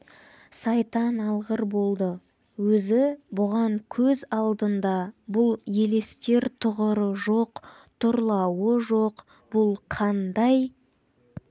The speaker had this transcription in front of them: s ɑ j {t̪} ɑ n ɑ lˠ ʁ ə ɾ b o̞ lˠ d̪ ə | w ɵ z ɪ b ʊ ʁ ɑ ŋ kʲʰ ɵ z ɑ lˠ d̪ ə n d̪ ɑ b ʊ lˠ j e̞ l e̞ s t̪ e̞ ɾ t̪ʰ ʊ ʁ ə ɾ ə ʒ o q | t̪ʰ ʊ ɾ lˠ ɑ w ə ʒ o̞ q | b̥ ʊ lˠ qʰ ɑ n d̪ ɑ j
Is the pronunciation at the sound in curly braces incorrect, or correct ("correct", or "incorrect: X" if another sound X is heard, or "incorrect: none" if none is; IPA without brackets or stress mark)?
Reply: correct